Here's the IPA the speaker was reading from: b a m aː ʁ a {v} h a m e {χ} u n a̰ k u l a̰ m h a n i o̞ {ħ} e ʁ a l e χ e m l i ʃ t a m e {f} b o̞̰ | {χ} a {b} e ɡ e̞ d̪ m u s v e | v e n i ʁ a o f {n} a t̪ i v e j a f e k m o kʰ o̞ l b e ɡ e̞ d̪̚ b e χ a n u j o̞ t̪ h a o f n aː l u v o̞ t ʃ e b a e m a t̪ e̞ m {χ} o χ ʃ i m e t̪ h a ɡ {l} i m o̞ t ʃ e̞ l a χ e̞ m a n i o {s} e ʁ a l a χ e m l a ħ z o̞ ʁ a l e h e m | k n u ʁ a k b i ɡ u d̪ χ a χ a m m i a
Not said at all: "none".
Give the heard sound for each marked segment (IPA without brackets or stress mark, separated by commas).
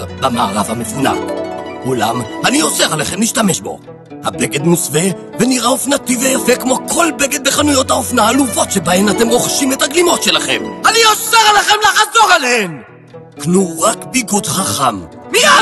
v, f, s, ʃ, h, b, n, ʁ, l, s